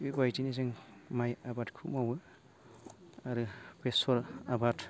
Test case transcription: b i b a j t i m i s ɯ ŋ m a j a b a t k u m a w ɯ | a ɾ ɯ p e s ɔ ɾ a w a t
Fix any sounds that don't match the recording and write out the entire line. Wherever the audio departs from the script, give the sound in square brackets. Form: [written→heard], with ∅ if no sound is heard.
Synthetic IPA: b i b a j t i [m→n] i [s→z] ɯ ŋ m a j a b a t [k→kʰ] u m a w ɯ | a ɾ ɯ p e s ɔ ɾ a [w→b] a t